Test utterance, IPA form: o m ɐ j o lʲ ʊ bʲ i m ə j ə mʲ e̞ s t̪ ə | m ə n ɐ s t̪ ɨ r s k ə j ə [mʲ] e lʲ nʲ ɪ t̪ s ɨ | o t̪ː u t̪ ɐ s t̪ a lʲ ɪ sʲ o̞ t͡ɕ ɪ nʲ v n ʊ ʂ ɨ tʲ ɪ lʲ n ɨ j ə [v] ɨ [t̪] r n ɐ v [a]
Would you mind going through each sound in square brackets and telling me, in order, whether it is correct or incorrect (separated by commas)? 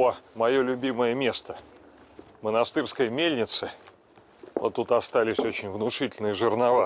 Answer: correct, incorrect, incorrect, correct